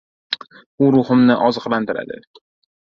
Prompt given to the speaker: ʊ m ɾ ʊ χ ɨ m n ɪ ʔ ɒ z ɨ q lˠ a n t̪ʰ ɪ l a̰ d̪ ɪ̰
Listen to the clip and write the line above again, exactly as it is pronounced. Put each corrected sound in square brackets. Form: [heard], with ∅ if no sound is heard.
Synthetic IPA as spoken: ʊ [∅] ɾ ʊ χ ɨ m n ɪ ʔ ɒ z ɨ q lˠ a n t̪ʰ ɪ [ɾ] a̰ d̪ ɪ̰